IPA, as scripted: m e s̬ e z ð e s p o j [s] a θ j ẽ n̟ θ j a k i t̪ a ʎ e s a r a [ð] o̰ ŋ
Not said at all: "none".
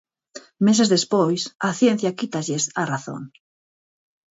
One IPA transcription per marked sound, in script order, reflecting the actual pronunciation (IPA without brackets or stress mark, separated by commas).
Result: s, θ